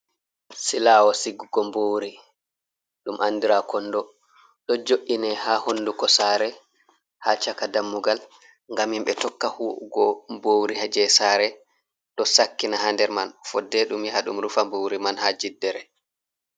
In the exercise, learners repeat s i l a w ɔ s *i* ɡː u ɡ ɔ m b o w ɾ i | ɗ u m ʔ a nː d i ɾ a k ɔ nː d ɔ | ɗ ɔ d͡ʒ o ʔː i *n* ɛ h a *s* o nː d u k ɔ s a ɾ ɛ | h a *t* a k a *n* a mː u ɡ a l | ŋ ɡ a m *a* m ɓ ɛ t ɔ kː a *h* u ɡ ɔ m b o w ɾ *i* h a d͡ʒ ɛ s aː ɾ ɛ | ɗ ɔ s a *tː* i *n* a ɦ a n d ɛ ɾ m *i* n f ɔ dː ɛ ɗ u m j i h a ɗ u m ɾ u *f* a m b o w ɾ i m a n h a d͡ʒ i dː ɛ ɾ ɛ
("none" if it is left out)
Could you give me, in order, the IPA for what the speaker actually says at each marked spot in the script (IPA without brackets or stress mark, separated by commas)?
i, n, h, t͡ʃ, d, i, h, i, kː, n, a, f